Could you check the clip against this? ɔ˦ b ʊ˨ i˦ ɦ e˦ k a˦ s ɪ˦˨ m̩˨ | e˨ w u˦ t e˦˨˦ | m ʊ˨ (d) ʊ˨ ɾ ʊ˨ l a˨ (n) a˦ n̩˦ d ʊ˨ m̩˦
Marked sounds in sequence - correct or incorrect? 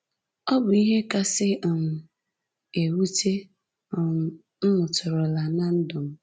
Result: incorrect: t, correct

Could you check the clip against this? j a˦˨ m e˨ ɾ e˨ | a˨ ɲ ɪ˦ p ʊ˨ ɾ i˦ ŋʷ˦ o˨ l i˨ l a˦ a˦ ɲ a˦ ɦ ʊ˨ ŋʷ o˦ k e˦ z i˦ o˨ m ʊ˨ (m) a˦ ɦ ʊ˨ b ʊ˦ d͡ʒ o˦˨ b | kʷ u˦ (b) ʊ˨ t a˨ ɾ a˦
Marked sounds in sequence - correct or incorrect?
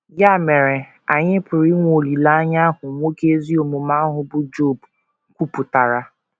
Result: correct, incorrect: p

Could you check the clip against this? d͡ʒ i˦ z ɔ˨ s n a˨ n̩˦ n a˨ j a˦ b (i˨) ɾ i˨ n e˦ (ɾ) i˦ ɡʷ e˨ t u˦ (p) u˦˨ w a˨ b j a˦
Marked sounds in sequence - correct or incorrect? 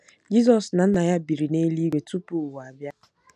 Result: correct, incorrect: l, correct

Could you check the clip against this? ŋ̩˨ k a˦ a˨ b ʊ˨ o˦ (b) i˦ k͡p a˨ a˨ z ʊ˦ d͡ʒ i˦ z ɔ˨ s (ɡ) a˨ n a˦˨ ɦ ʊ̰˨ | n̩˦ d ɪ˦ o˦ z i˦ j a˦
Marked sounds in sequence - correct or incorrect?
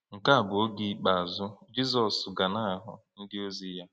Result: incorrect: ɡ, correct

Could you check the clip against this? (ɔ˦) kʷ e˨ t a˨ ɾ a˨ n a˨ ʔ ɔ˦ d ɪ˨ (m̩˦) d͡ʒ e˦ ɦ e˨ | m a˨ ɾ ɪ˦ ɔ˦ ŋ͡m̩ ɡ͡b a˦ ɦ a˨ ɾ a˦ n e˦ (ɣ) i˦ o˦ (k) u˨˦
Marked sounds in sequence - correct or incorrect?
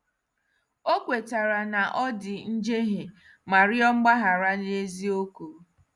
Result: incorrect: o˦, incorrect: n̩˦, incorrect: z, correct

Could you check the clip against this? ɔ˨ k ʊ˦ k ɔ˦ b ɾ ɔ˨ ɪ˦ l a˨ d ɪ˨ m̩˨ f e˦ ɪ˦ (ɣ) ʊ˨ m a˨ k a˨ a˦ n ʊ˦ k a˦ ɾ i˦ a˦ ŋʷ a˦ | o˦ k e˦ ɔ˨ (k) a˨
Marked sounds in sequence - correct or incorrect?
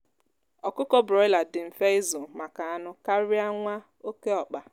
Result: incorrect: z, incorrect: k͡p

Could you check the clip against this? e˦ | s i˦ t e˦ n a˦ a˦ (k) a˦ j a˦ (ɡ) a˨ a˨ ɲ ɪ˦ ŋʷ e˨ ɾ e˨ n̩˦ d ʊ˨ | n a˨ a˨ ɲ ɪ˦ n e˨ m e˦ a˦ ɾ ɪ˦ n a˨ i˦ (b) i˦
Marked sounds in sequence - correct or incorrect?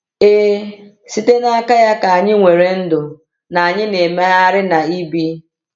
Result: correct, incorrect: k, correct

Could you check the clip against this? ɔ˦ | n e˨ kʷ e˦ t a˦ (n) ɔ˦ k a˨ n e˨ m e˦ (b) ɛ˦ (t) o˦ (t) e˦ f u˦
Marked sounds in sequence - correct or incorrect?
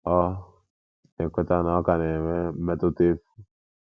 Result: correct, incorrect: m, correct, correct

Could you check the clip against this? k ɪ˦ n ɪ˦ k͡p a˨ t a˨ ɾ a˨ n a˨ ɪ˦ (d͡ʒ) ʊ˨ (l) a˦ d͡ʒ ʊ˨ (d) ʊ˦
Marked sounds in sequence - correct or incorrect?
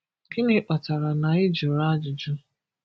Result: correct, incorrect: ɾ, incorrect: d͡ʒ

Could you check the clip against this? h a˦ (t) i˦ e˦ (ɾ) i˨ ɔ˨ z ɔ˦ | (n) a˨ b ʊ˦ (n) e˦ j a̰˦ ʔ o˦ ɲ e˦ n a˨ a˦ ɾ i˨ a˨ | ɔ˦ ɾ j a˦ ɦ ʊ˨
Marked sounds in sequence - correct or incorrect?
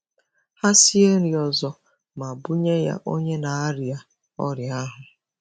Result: incorrect: s, correct, incorrect: m, incorrect: ɲ

